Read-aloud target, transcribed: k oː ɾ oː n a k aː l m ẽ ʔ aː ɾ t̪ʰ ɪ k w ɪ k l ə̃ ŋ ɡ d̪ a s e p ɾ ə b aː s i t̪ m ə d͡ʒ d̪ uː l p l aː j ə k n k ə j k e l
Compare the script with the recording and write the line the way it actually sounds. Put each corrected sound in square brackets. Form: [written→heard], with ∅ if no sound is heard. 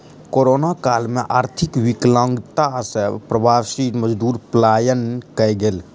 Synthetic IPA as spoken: k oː ɾ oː n a k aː l m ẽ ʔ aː ɾ t̪ʰ ɪ k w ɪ k l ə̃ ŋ ɡ [d̪→t̪] a s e p ɾ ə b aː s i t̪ m ə d͡ʒ d̪ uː [l→ɾ] p l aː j ə [k→∅] n k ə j [k→ɡ] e l